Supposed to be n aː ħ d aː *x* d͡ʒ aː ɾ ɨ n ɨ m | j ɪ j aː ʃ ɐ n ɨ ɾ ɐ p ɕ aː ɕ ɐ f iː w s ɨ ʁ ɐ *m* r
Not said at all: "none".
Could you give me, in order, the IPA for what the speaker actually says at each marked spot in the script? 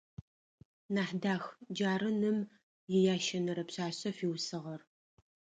x, none

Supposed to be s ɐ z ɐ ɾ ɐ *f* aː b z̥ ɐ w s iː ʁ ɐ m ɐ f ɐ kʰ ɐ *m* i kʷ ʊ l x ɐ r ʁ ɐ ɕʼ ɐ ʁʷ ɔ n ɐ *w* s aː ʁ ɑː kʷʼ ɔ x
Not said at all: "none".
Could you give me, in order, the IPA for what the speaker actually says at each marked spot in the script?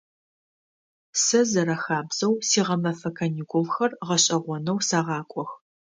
x, n, w

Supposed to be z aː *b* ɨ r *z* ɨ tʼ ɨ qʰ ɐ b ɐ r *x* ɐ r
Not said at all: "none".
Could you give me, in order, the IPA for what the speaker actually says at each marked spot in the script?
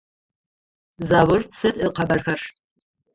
w, s, x

